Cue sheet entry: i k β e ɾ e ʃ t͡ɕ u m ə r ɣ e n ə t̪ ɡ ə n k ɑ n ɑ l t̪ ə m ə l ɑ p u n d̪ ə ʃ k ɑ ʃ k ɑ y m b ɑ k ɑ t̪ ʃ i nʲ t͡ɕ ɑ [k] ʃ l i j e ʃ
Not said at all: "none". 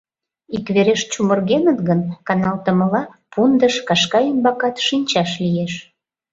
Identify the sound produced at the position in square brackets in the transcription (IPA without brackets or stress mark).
none